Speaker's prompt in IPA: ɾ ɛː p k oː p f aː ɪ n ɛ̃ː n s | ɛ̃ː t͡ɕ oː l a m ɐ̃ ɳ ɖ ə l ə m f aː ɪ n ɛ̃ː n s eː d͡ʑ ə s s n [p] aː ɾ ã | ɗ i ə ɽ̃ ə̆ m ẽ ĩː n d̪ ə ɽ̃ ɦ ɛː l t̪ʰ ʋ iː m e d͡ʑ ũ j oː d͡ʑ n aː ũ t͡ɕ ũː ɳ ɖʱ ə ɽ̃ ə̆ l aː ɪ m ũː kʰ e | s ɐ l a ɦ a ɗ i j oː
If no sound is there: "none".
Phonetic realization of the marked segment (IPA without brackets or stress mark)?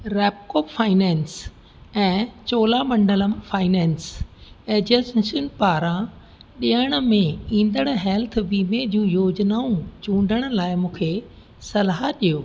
p